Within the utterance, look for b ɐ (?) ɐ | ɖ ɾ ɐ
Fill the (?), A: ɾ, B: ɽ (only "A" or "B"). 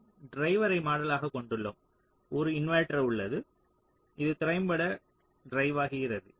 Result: B